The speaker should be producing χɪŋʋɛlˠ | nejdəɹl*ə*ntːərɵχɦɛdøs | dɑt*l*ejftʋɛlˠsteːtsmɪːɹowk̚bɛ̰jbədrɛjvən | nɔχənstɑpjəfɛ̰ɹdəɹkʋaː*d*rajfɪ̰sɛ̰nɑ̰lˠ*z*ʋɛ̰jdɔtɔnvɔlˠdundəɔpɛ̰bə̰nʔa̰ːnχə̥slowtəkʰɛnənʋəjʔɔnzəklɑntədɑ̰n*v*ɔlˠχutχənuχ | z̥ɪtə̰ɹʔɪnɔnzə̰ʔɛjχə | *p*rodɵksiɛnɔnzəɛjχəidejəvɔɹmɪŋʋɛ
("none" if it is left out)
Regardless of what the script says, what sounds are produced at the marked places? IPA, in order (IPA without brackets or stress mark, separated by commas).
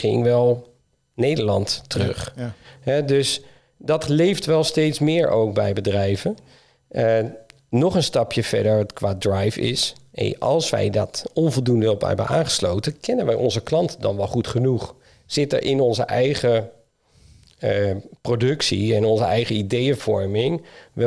ɑ, l, d, s, ʋ, p